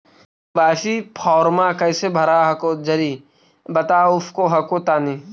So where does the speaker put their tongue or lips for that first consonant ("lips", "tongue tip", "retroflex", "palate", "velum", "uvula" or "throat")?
lips